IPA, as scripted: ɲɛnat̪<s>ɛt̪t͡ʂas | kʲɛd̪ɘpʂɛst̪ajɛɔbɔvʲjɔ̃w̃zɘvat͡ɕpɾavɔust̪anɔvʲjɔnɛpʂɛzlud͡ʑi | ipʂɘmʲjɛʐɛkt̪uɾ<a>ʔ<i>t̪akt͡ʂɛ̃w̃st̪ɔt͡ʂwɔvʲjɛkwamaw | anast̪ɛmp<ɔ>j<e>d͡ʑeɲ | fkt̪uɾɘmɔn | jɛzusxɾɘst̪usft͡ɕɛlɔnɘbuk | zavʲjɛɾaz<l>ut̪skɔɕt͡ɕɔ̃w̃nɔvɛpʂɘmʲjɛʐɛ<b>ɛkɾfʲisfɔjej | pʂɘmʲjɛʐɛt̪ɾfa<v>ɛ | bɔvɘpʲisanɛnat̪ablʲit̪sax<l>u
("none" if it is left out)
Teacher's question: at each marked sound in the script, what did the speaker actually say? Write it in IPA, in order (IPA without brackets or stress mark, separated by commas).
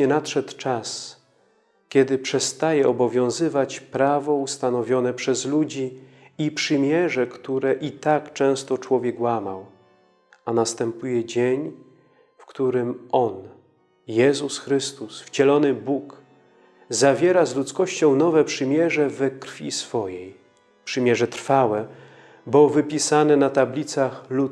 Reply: ʂ, ɛ, i, u, ɛ, l, v, w, l